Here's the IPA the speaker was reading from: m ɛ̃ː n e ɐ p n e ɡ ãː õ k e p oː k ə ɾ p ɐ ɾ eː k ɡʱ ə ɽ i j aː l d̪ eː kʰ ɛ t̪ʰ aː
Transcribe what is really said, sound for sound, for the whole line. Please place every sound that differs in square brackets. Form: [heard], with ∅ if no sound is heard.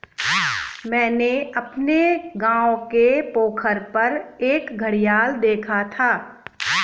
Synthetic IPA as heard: m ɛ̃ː n e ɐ p n e ɡ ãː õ k e p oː [kʰ] ə ɾ p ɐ ɾ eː k ɡʱ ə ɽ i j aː l d̪ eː kʰ [a] t̪ʰ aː